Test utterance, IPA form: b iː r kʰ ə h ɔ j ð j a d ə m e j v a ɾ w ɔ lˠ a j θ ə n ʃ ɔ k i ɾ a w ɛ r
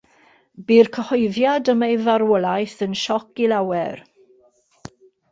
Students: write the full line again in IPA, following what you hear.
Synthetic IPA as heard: b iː r kʰ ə h ɔ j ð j a d ə m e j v a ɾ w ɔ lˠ a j θ ə n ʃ ɔ k i l a w ɛ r

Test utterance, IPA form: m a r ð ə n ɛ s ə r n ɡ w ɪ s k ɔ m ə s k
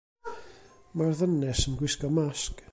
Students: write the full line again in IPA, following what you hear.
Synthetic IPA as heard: m a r ð ə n ɛ s ə n ɡ w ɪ s k ɔ m a s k

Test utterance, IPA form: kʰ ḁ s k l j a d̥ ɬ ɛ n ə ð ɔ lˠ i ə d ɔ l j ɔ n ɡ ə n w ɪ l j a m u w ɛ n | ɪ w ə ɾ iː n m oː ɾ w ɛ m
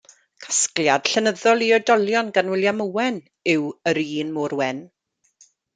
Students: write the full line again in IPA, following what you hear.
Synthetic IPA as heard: kʰ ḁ s k l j a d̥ ɬ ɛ n ə ð ɔ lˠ i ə d ɔ l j ɔ n ɡ a n w ɪ l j a m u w ɛ n | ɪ w ə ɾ iː n m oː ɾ w ɛ n

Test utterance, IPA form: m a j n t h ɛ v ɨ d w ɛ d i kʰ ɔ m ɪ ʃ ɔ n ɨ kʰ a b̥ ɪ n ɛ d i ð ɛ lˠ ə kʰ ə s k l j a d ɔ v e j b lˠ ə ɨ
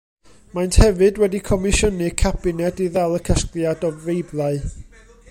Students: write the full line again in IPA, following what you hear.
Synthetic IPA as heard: m a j n t h ɛ v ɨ d w ɛ d i kʰ ɔ m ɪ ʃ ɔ n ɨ kʰ a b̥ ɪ n ɛ d i ð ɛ lˠ ə kʰ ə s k l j a d ɔ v e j b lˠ a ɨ

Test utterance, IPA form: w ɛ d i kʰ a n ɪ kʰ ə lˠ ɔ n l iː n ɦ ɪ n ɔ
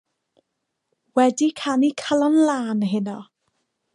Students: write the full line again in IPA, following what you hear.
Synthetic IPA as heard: w ɛ d i kʰ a n i kʰ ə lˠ ɔ n l aː n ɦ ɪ n ɔ

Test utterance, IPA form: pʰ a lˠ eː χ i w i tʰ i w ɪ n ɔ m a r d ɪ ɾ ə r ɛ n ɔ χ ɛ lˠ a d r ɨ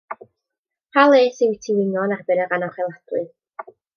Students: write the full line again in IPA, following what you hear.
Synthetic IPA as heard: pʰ a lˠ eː s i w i tʰ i w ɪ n ɔ n a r b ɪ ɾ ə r a n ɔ χ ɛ lˠ a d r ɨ

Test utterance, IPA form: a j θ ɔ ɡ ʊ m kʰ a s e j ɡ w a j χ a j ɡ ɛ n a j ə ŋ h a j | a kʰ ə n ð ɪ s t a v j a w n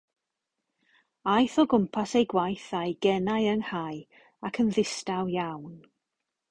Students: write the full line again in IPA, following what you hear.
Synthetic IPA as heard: a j θ ɔ ɡ ʊ m pʰ a s e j ɡ w a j θ a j ɡ ɛ n a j ə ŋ h a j | a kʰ ə n ð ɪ s t a w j a w n

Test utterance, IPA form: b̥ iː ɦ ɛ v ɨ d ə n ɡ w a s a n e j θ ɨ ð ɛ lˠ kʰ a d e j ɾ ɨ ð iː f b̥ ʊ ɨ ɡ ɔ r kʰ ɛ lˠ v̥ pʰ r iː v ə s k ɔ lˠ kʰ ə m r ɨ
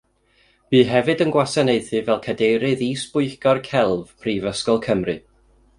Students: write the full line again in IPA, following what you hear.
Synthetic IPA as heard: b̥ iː ɦ ɛ v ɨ d ə n ɡ w a s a n e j θ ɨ v ɛ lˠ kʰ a d e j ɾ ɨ ð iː s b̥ ʊ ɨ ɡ ɔ r kʰ ɛ lˠ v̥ pʰ r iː v ə s k ɔ lˠ kʰ ə m r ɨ

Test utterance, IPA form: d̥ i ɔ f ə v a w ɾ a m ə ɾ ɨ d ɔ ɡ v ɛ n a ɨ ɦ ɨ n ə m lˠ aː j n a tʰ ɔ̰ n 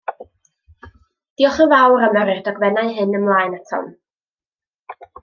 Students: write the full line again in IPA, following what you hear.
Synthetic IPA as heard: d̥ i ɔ χ ə v a w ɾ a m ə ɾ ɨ d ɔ ɡ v ɛ n a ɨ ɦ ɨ n ə m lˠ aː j n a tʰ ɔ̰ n

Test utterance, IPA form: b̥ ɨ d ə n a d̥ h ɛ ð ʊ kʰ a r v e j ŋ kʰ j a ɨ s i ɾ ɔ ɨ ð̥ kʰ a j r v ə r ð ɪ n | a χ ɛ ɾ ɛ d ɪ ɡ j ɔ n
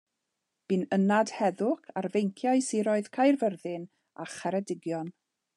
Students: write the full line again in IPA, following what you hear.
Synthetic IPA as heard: b̥ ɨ n ə n a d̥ h ɛ ð ʊ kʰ a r v e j ŋ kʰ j a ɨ s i ɾ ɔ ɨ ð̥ kʰ a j r v ə r ð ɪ n | a χ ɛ ɾ ɛ d ɪ ɡ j ɔ n

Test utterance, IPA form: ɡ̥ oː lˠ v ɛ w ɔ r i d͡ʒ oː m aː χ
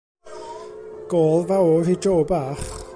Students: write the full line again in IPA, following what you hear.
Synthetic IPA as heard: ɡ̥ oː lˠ v a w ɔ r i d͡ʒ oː b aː χ

